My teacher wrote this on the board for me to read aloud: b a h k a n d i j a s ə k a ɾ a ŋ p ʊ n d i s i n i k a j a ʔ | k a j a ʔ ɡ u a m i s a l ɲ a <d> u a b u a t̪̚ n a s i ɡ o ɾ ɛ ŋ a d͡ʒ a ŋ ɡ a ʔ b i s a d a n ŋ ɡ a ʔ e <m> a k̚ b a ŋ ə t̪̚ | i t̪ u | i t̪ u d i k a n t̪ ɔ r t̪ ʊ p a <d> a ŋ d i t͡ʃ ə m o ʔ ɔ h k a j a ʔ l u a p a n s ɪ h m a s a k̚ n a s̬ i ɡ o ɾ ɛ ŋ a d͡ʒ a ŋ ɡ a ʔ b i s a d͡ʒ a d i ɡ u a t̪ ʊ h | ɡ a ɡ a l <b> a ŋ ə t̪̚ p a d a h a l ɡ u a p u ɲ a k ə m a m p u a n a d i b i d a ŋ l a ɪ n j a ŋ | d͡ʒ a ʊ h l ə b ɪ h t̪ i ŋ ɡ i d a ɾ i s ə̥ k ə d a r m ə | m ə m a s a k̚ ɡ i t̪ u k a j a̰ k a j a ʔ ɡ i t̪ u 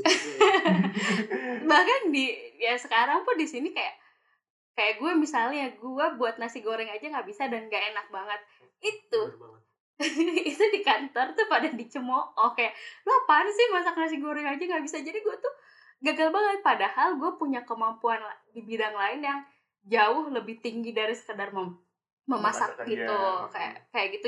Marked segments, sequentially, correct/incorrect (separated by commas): incorrect, incorrect, correct, correct